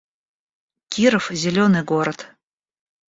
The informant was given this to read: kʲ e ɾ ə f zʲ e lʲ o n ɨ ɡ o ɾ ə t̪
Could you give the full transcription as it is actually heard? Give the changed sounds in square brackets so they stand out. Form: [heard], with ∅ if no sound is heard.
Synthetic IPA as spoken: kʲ [i] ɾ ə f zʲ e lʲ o n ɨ ɡ o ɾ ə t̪